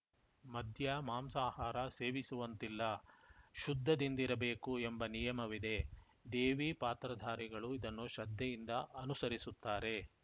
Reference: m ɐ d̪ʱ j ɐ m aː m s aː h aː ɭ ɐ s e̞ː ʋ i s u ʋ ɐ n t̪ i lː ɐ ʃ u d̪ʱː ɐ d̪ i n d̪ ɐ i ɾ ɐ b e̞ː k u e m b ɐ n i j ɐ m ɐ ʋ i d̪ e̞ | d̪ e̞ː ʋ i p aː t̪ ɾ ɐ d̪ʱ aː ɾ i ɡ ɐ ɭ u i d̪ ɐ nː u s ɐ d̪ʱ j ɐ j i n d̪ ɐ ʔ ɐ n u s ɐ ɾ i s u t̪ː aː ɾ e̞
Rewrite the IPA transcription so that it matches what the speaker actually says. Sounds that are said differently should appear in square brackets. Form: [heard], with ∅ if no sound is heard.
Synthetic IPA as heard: m ɐ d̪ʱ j ɐ m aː m s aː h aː [ɾ] ɐ s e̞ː ʋ i s u ʋ ɐ n t̪ i lː ɐ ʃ u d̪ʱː ɐ d̪ i n d̪ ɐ i ɾ ɐ b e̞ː k u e m b ɐ n i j ɐ m ɐ ʋ i d̪ e̞ | d̪ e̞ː ʋ i p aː t̪ ɾ ɐ d̪ʱ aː ɾ i ɡ ɐ ɭ u i d̪ ɐ nː u [ʃ] ɐ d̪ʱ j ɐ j i n d̪ ɐ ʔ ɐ n u s ɐ ɾ i s u t̪ː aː ɾ e̞